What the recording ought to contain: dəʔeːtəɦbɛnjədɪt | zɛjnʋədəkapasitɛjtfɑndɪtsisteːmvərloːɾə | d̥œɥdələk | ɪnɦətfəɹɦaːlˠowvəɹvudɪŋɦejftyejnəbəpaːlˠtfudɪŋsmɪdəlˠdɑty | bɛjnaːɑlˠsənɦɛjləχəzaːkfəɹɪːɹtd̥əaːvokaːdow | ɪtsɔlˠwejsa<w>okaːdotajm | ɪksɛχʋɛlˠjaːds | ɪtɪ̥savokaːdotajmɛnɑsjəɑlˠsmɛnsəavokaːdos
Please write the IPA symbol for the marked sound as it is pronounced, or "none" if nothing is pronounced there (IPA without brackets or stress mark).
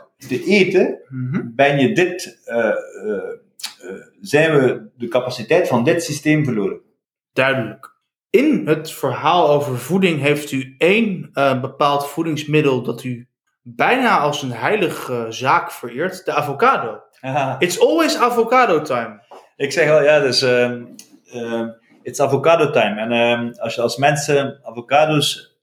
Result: v